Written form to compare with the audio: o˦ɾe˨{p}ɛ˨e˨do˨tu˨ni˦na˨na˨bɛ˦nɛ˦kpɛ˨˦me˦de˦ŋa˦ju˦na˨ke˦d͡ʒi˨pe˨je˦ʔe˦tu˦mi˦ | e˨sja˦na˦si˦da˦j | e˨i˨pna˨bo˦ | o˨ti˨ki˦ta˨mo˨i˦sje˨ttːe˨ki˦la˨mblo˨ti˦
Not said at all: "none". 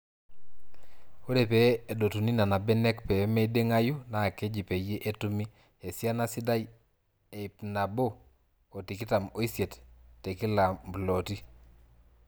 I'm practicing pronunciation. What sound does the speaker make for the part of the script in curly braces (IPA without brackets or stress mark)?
p